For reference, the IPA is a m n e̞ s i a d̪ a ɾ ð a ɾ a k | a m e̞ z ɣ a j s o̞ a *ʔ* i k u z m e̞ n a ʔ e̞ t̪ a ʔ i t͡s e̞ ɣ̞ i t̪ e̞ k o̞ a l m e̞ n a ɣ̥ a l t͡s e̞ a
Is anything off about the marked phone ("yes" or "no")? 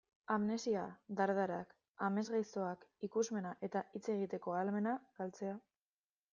yes